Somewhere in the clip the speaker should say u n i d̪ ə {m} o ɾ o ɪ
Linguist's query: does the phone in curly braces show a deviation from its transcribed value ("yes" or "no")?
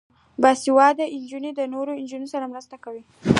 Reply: yes